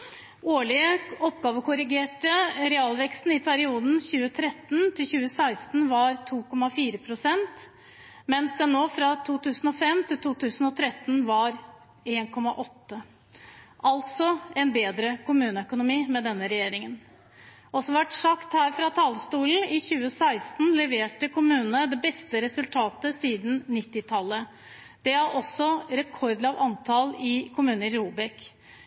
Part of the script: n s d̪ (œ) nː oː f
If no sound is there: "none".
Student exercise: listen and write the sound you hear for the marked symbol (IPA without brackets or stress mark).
ɛ